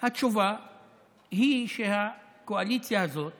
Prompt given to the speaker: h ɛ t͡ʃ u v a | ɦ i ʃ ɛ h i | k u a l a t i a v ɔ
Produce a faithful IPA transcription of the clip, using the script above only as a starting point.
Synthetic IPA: h a t͡ʃ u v a | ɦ i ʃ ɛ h a | k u a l i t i a z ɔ